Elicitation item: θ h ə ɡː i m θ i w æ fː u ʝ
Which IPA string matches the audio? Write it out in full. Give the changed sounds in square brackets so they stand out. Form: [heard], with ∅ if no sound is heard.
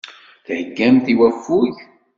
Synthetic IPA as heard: θ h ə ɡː [æ] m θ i w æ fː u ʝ